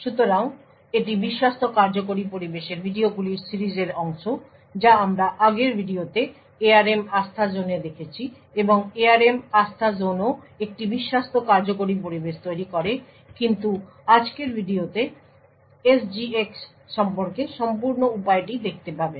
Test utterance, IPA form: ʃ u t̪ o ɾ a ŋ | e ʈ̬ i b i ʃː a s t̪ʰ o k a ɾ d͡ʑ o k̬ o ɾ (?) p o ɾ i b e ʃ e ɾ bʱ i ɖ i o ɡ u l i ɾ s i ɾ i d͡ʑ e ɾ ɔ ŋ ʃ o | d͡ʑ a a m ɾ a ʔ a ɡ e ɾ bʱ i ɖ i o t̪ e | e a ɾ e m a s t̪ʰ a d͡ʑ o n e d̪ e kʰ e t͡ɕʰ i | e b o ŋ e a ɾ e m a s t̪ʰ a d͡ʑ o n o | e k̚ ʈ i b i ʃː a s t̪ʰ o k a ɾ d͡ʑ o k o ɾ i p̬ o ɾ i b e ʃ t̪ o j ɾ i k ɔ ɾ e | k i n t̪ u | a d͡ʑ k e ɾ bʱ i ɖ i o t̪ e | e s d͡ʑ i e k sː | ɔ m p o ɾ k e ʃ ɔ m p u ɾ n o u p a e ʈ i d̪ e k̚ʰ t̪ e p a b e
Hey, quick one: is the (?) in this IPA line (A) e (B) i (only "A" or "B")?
B